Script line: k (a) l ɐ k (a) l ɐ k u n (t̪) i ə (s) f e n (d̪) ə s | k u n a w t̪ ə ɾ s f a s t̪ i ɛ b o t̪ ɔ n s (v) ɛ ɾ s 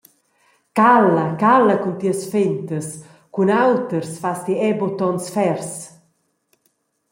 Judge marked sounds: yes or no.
yes, yes, yes, yes, no, no

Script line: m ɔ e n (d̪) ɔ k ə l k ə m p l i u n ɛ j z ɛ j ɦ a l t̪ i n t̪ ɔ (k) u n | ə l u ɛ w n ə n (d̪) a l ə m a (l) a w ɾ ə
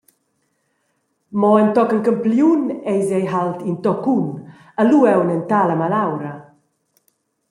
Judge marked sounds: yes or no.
no, yes, no, yes

